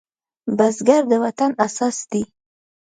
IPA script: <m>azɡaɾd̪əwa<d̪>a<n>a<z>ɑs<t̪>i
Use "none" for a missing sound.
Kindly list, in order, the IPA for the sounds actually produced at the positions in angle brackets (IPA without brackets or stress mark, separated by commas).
b, t̪, n, s, d̪